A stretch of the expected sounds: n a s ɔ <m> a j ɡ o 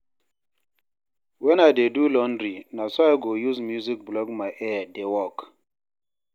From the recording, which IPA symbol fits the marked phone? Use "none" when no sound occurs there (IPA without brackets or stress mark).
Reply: none